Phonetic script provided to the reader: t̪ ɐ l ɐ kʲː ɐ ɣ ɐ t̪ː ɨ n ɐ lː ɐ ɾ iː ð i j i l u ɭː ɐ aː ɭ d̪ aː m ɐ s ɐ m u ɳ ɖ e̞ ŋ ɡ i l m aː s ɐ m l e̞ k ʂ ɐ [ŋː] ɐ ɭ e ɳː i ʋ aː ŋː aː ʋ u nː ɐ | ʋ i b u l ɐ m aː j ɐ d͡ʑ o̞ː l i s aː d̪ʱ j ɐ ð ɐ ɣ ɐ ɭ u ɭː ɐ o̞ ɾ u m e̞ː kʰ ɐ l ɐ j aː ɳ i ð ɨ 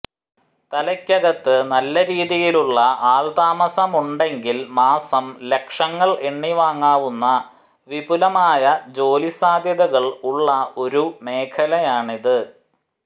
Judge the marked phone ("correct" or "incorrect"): correct